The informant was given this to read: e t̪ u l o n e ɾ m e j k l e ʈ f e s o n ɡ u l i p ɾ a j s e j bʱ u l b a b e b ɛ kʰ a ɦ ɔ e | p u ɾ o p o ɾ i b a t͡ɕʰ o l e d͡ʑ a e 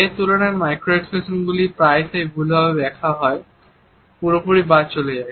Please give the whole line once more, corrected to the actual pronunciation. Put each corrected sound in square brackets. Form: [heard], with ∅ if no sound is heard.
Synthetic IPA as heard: e t̪ u l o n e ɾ m [a] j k [ɾ] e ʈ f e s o n ɡ u l i p ɾ a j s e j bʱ u l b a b e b ɛ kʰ a ɦ ɔ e | p u ɾ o p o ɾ i b a [t͡ɕ] o l e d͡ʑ a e